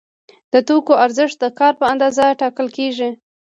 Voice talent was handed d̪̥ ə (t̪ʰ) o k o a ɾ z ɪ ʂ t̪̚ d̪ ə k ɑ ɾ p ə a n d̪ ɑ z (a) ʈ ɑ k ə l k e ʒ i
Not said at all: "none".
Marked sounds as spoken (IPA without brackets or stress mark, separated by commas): t̪, a